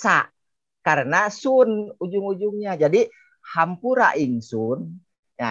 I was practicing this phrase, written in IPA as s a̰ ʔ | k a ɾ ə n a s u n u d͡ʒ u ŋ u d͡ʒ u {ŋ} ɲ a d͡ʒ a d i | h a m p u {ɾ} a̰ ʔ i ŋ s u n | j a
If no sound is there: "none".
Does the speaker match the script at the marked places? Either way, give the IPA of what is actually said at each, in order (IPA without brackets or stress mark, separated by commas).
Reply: ŋ, ɾ